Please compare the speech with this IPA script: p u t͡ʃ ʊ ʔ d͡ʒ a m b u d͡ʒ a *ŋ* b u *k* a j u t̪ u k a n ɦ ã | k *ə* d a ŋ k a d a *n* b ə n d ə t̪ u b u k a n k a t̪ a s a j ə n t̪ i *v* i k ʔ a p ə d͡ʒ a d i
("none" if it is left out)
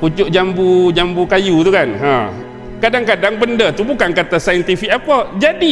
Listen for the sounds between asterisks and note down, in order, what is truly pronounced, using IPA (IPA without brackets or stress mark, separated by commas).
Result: m, k, a, ŋ, f